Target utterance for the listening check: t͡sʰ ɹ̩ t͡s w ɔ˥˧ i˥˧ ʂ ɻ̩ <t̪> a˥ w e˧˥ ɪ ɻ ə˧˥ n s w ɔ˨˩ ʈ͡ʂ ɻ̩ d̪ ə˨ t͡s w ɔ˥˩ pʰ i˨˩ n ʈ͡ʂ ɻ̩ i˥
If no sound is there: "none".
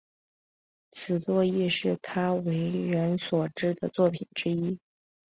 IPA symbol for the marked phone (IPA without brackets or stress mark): t̪ʰ